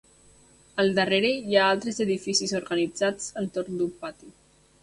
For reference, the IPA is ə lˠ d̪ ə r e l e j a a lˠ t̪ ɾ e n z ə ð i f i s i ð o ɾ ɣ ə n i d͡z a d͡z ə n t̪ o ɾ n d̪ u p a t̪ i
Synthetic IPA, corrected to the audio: ə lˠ d̪ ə r e ɾ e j a a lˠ t̪ ɾ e z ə ð i f i s i z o ɾ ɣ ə n i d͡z a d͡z ə n t̪ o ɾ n d̪ u p a t̪ i